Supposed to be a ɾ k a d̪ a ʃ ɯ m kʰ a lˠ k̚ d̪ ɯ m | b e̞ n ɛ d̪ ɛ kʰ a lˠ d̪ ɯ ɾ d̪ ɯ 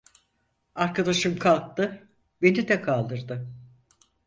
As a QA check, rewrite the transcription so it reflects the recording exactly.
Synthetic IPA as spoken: a ɾ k a d̪ a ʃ ɯ m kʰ a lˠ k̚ t̪ ɯ | b e̞ n i d̪ ɛ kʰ a lˠ d̪ ɯ ɾ d̪ ɯ

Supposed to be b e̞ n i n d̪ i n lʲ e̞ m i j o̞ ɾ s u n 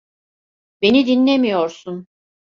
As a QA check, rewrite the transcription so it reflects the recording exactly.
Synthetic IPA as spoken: b e̞ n i d̪ i n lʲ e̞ m i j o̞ ɾ s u n

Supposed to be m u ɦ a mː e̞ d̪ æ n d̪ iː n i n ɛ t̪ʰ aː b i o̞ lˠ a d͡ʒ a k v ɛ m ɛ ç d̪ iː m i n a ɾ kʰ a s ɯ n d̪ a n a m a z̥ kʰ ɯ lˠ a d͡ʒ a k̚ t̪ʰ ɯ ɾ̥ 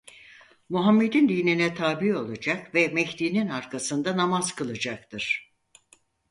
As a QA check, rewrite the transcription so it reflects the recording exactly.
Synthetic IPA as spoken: m u ɦ a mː e̞ d̪ i n d̪ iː n i n ɛ t̪ʰ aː b i o̞ lˠ a d͡ʒ a k v ɛ m ɛ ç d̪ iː n i n a ɾ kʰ a s ɯ n d̪ a n a m a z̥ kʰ ɯ lˠ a d͡ʒ a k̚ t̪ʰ ɯ ɾ̥

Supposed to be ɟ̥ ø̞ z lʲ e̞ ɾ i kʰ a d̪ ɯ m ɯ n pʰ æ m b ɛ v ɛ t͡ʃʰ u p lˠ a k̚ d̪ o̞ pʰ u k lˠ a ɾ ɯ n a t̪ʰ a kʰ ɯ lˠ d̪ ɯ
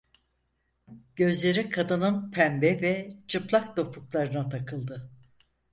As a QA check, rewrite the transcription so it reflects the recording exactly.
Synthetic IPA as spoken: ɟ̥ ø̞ z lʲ e̞ ɾ i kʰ a d̪ ɯ n ɯ n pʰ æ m b ɛ v ɛ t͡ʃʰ ɯ p lˠ a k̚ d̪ o̞ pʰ u k lˠ a ɾ ɯ n a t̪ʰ a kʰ ɯ lˠ d̪ ɯ

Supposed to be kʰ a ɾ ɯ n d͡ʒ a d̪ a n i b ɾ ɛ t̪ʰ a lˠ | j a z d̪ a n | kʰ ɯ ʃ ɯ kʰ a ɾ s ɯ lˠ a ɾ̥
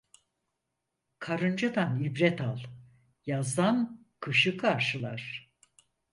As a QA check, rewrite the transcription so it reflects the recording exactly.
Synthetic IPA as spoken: kʰ a ɾ ɯ n d͡ʒ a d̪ a n i b ɾ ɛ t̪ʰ a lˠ | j a z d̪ a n | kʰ ɯ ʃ ɯ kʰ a ɾ ʃ ɯ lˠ a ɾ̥

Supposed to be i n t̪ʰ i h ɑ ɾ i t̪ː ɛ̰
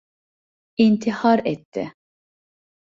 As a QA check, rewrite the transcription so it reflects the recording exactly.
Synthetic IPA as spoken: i n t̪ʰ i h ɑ ɾ ɛ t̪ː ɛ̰

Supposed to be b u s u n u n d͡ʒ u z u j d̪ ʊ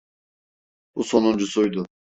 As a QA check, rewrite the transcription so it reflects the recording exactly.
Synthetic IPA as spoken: b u s o n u n d͡ʒ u s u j d̪ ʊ

